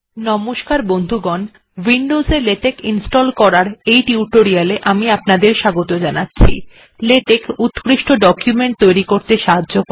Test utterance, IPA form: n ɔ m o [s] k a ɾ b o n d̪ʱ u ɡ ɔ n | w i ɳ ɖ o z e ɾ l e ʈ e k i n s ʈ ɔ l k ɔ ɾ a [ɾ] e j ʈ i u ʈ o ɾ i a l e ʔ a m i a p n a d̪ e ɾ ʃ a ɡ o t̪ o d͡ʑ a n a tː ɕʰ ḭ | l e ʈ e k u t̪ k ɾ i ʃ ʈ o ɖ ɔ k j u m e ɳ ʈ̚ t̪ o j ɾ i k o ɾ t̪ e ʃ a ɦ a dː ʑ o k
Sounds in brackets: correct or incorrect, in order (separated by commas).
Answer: incorrect, correct